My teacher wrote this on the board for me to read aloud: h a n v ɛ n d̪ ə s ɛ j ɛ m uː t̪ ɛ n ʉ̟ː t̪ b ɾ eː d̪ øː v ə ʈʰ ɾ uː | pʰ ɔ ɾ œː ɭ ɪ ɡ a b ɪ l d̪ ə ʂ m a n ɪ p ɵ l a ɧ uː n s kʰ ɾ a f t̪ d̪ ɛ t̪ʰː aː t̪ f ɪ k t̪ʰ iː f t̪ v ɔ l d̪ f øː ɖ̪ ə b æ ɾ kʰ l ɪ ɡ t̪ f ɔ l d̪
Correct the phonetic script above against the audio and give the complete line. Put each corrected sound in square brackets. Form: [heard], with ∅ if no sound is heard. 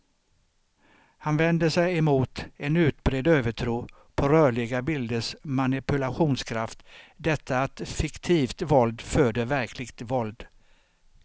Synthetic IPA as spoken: h a n v ɛ n d̪ ə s ɛ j ɛ m uː t̪ ɛ n ʉ̟ː t̪ b ɾ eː d̪ øː v ə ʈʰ ɾ uː | pʰ ɔ ɾ œː ɭ ɪ ɡ a b ɪ l d̪ ə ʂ m a n ɪ p ɵ l a ɧ uː n s kʰ ɾ a f t̪ d̪ ɛ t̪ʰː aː t̪ f ɪ k t̪ʰ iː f t̪ v ɔ l d̪ f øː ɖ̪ ə [v] æ ɾ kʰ l ɪ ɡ t̪ [v] ɔ l d̪

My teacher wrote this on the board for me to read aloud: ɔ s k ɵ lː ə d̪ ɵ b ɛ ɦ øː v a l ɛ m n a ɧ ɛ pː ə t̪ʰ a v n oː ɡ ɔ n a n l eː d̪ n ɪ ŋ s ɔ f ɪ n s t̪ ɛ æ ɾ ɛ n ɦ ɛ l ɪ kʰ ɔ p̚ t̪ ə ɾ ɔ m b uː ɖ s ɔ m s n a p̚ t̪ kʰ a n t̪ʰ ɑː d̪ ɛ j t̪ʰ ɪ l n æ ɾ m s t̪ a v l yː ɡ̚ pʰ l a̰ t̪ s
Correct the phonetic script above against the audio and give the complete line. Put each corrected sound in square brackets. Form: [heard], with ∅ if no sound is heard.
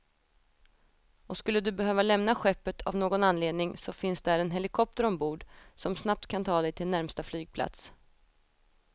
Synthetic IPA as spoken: ɔ s k ɵ lː ə d̪ ɵ b ɛ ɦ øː v a l ɛ m n a ɧ ɛ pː ə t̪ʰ a v n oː ɡ ɔ n a n l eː d̪ n ɪ ŋ s ɔ f ɪ n s [d̪] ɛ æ ɾ ɛ n ɦ ɛ l ɪ kʰ ɔ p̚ t̪ ə ɾ ɔ m b uː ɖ s ɔ m s n a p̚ t̪ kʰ a n t̪ʰ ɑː d̪ ɛ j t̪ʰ ɪ l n æ ɾ m s t̪ a [f] l yː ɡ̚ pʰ l a̰ t̪ s

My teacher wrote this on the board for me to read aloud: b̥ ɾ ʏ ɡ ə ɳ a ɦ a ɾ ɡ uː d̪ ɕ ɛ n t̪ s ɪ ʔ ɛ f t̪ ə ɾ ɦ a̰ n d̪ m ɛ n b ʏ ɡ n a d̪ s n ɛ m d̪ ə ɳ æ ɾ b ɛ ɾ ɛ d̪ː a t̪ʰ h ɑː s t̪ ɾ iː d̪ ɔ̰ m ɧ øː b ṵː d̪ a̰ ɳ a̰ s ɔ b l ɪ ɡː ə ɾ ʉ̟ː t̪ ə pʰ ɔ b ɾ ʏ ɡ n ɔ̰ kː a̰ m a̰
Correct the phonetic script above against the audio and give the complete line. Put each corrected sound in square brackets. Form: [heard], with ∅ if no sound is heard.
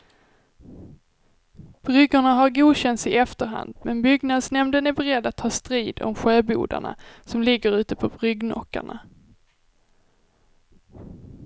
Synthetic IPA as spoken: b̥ ɾ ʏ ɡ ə ɳ a ɦ a ɾ ɡ uː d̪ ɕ ɛ n t̪ s ɪ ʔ ɛ f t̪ ə ɾ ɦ a̰ n d̪ m ɛ n b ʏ ɡ n a d̪ s n ɛ m d̪ ə [n] æ ɾ b ɛ ɾ ɛ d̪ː a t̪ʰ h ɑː s t̪ ɾ iː d̪ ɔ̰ m ɧ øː b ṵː d̪ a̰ ɳ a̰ s ɔ [m] l ɪ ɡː ə ɾ ʉ̟ː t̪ ə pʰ ɔ b ɾ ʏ ɡ n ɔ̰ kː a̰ [ɳ] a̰

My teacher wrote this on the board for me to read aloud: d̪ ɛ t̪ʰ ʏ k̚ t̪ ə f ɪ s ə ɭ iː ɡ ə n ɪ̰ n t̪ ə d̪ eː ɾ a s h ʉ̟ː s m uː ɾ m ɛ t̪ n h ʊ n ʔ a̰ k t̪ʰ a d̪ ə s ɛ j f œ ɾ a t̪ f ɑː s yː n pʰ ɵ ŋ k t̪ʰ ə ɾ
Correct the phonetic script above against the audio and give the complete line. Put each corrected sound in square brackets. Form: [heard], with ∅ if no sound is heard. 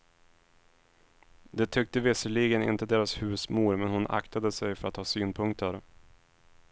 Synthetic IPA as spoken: d̪ ɛ t̪ʰ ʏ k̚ t̪ ə [v] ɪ s ə ɭ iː ɡ ə n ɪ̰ n t̪ ə d̪ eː ɾ a s h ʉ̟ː s m uː ɾ m ɛ [∅] n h ʊ n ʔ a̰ k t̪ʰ a d̪ ə s ɛ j f œ ɾ a t̪ [h] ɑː s yː n pʰ ɵ ŋ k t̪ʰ ə ɾ

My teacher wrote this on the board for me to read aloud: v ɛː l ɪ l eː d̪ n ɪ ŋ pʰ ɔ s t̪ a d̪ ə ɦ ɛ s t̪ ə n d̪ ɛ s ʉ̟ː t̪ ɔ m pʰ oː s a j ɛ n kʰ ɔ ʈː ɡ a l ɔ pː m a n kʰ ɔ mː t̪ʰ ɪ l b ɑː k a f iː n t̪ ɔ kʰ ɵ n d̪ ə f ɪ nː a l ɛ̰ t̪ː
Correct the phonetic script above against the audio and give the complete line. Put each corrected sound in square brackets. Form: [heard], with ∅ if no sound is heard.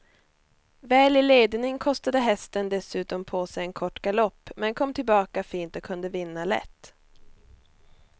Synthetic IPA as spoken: v ɛː l ɪ l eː d̪ n ɪ ŋ [kʰ] ɔ s t̪ a d̪ ə ɦ ɛ s t̪ ə n d̪ ɛ s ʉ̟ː t̪ ɔ m pʰ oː s [ɛ] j ɛ n kʰ ɔ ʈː ɡ a l ɔ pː m [ɛ] n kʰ ɔ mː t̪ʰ ɪ l b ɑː k a f iː n t̪ ɔ kʰ ɵ n d̪ ə [v] ɪ nː a l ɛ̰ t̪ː

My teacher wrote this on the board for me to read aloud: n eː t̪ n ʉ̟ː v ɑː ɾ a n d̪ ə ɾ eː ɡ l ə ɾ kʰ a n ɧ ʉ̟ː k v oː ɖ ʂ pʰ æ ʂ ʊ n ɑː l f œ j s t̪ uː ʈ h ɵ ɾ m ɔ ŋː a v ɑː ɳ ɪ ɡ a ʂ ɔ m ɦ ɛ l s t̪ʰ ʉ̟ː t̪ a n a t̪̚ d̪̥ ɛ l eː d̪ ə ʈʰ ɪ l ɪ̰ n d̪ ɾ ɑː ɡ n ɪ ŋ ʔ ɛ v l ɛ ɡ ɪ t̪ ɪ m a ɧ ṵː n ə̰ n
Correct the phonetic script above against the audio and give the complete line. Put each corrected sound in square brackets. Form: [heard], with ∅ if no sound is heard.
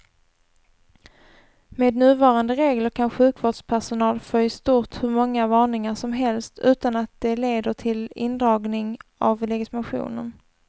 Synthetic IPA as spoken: [m] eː [d̪] n ʉ̟ː v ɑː ɾ a n d̪ ə ɾ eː ɡ l ə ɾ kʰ a n ɧ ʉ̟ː k v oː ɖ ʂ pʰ æ ʂ ʊ n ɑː l f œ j s t̪ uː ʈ h ɵ ɾ m ɔ ŋː a v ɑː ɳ ɪ [ŋ] a ʂ ɔ m ɦ ɛ l s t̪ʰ ʉ̟ː t̪ a n a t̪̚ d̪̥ ɛ l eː d̪ ə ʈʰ ɪ l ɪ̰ n d̪ ɾ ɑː ɡ n ɪ ŋ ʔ [a] v l ɛ ɡ ɪ t̪ ɪ m a ɧ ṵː n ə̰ n

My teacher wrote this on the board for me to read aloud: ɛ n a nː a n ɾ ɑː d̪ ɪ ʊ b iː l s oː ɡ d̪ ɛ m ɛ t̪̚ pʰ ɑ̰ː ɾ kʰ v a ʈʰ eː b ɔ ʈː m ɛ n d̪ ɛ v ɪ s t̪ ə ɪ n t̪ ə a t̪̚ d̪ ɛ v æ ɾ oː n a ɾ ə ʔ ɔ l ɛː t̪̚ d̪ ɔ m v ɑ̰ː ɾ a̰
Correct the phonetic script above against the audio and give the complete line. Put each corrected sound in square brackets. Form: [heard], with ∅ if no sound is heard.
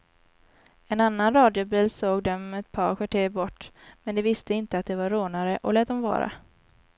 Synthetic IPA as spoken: ɛ n a nː a n ɾ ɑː d̪ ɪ ʊ b iː l s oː ɡ d̪ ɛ m ɛ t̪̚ pʰ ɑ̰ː ɾ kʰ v a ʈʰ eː b ɔ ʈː m ɛ n d̪ ɛ v ɪ s t̪ ə ɪ n t̪ ə a t̪̚ d̪ ɛ v [a] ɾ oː n a ɾ ə ʔ ɔ l ɛː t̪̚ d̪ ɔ m v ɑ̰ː ɾ a̰

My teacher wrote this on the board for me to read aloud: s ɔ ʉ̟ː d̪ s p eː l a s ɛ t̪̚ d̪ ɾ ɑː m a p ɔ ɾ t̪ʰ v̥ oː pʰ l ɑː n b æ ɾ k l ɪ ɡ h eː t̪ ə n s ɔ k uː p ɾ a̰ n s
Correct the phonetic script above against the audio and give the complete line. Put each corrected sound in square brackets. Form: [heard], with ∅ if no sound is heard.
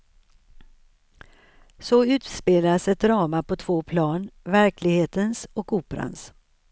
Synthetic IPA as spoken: s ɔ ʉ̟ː [t̪] s p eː l a s ɛ t̪̚ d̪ ɾ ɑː m a p ɔ [∅] t̪ʰ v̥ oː pʰ l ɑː n [v] æ ɾ k l ɪ ɡ h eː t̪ ə n s ɔ k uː p ɾ a̰ n s

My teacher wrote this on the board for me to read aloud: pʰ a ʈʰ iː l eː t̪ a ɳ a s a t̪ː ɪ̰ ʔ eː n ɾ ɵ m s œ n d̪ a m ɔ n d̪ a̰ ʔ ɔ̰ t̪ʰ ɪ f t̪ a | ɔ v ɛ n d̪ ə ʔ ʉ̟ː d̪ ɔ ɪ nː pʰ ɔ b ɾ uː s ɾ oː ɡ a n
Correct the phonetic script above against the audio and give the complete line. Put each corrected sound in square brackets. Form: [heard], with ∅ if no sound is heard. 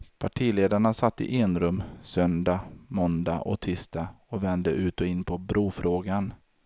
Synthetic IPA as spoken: pʰ a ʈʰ iː l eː [d̪] a ɳ a s a t̪ː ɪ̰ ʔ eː n ɾ ɵ m s œ n d̪ a m ɔ n d̪ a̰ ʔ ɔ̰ t̪ʰ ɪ [s] t̪ a | ɔ v ɛ n d̪ ə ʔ ʉ̟ː [t̪] ɔ ɪ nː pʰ ɔ b ɾ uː [f] ɾ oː ɡ a n

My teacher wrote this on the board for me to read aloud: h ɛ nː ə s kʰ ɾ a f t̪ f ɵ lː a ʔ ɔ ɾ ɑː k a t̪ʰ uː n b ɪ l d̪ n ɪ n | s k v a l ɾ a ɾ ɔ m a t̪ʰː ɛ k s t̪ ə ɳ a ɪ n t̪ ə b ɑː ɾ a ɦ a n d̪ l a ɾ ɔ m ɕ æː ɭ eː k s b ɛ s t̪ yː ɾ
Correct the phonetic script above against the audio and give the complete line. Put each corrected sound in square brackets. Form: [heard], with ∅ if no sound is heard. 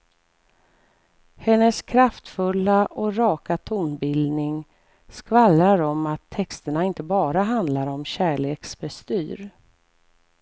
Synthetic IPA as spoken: h ɛ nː ə s kʰ ɾ a f t̪ f ɵ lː a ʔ ɔ ɾ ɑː k a t̪ʰ uː n b ɪ l d̪ n ɪ [ŋ] | s k v a l ɾ a ɾ ɔ m a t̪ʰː ɛ k s t̪ ə ɳ a ɪ n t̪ ə b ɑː ɾ a ɦ a n d̪ l a ɾ ɔ m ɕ æː ɭ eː k s b ɛ s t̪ yː ɾ

